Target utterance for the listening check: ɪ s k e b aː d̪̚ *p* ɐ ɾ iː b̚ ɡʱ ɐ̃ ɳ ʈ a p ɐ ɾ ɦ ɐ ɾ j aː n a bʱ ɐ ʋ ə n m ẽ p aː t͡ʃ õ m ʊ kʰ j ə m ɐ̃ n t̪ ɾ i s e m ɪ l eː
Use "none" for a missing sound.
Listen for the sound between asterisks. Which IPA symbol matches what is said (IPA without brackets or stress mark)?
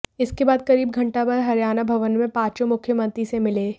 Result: k